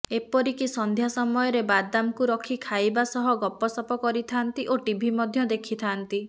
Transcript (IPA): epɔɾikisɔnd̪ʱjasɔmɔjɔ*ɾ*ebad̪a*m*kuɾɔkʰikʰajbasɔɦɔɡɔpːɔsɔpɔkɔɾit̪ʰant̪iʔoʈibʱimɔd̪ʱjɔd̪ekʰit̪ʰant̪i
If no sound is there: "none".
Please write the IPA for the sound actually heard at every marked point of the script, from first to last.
ɾ, m

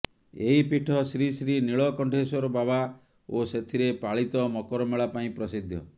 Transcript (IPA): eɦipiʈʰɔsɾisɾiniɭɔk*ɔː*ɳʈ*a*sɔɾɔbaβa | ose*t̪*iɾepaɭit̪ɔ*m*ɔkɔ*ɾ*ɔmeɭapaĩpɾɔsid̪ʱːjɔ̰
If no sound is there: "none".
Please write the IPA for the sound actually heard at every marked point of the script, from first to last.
ɔ, e, t̪ʰ, m, ɾ

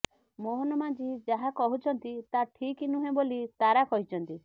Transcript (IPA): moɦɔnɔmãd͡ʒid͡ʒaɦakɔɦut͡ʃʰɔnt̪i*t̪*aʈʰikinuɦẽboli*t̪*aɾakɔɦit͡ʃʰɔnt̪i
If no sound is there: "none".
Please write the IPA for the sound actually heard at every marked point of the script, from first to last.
t̪, t̪

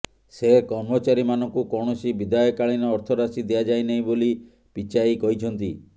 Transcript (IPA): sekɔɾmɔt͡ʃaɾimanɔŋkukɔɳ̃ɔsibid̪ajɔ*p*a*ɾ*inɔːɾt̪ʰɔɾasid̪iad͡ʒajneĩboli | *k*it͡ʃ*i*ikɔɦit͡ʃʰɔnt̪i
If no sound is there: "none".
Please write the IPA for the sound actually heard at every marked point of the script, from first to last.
k, ɭ, p, a

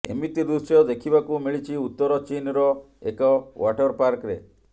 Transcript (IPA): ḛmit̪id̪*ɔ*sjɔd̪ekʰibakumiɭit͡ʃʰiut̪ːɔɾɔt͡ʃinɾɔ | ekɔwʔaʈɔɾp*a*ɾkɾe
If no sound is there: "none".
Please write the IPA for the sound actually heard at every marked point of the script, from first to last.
u, a

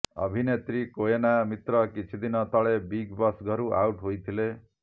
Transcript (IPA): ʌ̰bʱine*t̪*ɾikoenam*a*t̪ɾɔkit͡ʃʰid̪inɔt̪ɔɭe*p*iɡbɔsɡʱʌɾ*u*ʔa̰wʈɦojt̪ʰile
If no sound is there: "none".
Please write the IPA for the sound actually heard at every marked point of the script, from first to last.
t̪, i, b, u

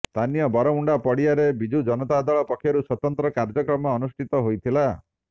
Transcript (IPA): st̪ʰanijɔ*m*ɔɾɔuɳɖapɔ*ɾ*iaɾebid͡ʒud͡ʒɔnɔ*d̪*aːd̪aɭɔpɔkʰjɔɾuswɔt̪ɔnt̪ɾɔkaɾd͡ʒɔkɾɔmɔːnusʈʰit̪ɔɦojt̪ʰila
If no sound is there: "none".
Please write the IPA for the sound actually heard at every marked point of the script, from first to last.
b, ɽ, t̪

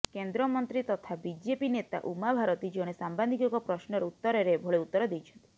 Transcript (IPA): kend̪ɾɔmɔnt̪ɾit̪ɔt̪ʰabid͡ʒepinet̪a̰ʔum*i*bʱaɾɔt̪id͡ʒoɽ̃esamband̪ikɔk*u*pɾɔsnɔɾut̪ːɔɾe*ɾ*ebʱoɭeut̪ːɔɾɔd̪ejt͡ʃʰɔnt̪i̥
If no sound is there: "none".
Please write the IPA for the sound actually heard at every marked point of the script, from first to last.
a, ɔ, ɾ

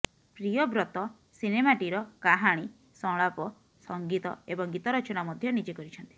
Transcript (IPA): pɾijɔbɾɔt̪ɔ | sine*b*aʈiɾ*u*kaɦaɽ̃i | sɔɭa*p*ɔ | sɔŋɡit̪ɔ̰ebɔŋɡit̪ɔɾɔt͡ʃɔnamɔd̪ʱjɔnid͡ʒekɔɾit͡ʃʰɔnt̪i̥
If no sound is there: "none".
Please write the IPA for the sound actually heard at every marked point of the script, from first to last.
m, ɔ, p

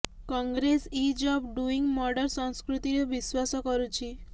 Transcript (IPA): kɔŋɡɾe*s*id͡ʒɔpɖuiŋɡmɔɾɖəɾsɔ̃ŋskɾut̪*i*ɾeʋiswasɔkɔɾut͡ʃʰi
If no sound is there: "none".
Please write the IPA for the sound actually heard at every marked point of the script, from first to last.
s, i

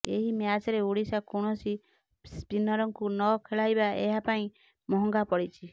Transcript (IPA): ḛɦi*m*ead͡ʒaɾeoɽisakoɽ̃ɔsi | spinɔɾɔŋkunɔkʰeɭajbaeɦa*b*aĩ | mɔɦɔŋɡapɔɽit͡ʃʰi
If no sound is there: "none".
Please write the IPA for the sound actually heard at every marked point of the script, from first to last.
m, p

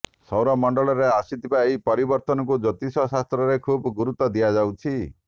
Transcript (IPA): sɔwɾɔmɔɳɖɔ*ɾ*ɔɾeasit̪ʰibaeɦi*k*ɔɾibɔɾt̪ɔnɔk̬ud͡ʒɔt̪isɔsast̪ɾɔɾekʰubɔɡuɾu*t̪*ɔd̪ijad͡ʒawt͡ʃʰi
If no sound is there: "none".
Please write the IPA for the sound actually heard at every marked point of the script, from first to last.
ɭ, p, t̪

